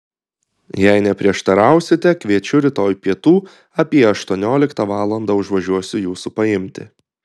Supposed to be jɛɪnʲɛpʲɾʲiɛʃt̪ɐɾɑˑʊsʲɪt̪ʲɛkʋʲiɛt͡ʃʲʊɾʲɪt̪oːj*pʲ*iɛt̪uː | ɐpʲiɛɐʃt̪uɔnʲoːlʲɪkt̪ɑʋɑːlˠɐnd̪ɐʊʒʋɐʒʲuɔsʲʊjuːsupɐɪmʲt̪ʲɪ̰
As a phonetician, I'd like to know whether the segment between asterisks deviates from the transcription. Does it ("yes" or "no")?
no